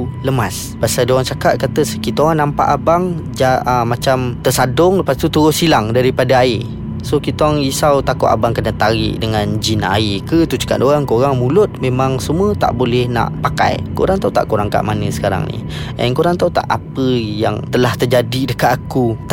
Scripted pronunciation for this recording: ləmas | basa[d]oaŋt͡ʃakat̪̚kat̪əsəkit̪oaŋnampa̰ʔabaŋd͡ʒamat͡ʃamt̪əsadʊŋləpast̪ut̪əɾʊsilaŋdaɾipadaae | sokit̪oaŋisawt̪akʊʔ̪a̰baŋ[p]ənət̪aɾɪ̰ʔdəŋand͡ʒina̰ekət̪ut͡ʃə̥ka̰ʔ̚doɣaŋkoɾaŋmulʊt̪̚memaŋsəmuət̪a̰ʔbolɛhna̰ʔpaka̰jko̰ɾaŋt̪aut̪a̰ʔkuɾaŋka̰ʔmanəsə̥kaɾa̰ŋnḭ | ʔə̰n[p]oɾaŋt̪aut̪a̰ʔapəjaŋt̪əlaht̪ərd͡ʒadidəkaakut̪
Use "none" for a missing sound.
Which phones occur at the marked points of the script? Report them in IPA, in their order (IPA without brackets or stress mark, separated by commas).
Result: d, k, k